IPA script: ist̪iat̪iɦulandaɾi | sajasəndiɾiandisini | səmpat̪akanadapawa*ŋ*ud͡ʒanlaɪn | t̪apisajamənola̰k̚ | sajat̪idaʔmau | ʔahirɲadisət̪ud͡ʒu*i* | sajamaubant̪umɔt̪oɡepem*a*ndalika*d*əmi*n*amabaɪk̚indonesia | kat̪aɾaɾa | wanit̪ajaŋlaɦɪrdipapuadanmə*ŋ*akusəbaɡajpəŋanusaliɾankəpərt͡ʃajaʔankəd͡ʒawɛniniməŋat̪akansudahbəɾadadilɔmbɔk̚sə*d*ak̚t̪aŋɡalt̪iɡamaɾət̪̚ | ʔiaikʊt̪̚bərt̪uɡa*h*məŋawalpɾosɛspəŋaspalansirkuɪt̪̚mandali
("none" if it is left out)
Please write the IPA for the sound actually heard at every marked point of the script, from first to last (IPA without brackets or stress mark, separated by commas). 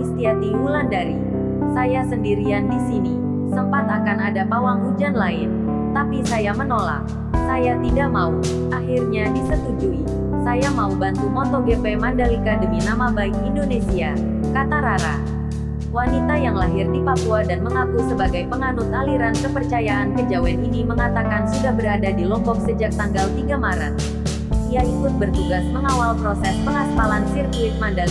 ŋ, i, a, d, n, ŋ, d͡ʒ, s